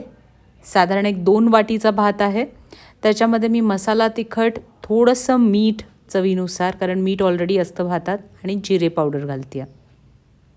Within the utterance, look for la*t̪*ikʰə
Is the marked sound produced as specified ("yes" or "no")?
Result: yes